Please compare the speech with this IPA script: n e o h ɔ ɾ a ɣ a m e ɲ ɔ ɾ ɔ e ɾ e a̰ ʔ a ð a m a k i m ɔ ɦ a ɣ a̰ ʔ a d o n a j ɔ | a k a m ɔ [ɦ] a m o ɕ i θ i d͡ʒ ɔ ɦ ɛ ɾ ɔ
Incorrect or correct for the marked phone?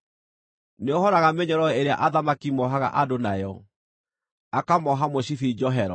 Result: correct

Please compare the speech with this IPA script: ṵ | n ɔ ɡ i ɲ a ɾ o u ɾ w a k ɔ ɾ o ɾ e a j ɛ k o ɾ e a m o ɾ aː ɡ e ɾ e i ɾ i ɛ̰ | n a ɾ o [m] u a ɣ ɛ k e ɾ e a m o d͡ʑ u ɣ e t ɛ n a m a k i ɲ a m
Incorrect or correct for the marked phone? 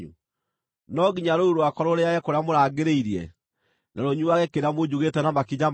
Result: incorrect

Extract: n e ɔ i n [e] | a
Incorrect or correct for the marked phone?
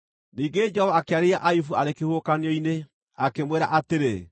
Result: correct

